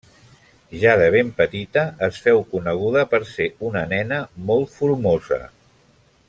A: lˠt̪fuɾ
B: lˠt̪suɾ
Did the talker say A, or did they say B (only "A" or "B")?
A